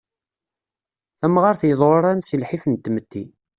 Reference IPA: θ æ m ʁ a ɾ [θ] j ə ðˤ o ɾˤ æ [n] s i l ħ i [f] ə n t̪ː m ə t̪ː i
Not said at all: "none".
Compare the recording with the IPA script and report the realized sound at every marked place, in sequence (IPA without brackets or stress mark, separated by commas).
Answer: θ, n, f